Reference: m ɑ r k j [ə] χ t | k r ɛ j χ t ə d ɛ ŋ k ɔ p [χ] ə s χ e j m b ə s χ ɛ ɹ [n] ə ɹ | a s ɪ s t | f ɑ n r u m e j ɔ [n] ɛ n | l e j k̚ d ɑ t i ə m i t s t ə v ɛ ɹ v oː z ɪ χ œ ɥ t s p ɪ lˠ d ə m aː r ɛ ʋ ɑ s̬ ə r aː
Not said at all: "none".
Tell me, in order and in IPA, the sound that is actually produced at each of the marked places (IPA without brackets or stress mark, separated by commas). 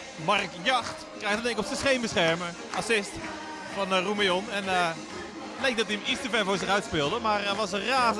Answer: ɑ, s, m, n